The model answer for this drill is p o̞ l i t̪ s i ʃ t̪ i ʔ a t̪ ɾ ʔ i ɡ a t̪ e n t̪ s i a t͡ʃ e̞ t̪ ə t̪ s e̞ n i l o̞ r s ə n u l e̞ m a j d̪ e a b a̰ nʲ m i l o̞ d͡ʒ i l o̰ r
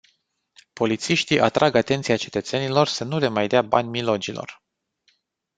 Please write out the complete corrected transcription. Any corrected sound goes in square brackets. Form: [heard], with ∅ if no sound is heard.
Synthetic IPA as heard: p o̞ l i t̪ s i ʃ t̪ i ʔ a t̪ ɾ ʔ [a] ɡ a t̪ e n t̪ s i a t͡ʃ e̞ t̪ ə t̪ s e̞ n i l o̞ r s ə n u l e̞ m a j d̪ e a b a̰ nʲ m i l o̞ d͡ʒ i l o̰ r